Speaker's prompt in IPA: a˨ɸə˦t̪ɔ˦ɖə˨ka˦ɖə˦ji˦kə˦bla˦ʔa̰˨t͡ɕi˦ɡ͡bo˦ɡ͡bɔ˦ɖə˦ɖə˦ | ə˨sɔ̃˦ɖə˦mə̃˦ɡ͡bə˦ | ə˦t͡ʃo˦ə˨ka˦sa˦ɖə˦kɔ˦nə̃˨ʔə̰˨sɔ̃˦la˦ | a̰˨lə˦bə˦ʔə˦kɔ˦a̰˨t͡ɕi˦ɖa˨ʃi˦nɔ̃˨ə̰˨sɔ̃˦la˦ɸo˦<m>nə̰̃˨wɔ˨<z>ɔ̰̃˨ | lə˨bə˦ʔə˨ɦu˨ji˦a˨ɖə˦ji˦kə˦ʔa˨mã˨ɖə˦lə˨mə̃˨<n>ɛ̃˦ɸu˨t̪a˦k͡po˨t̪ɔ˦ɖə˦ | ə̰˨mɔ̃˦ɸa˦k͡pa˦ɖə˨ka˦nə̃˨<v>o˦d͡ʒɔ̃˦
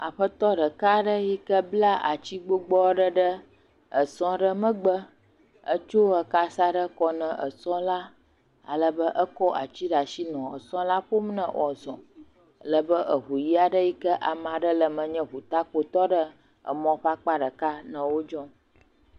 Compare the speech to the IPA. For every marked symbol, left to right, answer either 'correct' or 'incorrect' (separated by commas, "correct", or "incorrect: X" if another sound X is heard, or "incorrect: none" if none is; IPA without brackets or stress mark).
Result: correct, correct, incorrect: ɲ, incorrect: w